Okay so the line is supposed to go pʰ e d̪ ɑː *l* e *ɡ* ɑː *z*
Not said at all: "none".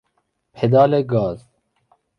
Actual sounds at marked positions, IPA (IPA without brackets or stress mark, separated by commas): l, ɡ, z